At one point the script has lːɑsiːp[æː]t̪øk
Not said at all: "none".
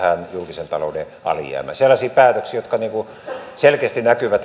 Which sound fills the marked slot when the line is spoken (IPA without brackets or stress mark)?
æː